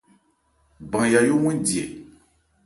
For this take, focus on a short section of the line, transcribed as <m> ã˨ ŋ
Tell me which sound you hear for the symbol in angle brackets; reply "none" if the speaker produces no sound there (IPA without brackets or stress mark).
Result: b